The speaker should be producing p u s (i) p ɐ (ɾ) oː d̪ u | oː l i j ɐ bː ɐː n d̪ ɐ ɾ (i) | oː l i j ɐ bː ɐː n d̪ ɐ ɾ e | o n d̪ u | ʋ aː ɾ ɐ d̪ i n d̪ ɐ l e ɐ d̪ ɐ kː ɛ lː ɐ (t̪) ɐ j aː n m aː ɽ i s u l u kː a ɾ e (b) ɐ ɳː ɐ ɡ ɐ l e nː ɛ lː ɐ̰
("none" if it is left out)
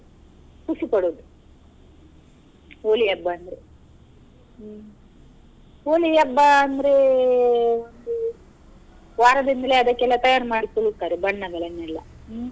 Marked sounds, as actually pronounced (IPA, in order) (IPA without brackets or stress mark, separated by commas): i, ɽ, e, t̪, b